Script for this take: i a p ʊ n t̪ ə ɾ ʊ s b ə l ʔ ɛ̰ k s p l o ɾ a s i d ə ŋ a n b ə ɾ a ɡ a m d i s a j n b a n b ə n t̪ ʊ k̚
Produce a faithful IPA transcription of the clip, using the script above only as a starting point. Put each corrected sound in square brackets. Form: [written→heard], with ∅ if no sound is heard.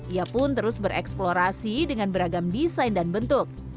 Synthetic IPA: i a p ʊ n t̪ ə ɾ ʊ s b ə [l→ɾ] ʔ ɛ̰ k s p l o ɾ a s i d ə ŋ a n b ə ɾ a ɡ a m d i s a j n [b→d] a n b ə n t̪ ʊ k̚